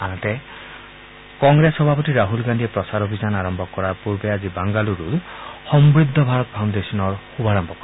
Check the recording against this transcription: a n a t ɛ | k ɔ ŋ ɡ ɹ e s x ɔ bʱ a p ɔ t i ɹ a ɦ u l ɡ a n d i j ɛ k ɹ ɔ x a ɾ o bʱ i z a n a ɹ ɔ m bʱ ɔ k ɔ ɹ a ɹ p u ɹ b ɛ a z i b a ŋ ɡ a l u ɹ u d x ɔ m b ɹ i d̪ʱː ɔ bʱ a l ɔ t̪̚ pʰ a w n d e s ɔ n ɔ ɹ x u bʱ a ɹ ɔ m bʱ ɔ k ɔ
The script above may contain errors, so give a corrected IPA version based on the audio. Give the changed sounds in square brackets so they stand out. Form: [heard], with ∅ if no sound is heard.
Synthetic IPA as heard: a n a t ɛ | k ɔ ŋ ɡ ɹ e s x ɔ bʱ a p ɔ t i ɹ a ɦ u l ɡ a n d i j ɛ [p] ɹ ɔ [s] a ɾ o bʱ i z a n a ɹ ɔ m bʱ ɔ k ɔ ɹ a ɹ p u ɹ b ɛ a z i b a ŋ ɡ a l u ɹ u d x ɔ m b ɹ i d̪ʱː ɔ bʱ a [ɹ] ɔ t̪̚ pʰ a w n d e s ɔ n ɔ ɹ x u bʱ a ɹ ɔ m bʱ ɔ k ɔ